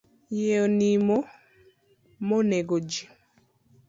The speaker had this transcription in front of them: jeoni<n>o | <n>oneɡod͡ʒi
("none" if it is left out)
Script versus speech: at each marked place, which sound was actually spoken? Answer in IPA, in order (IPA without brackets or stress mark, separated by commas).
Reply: m, m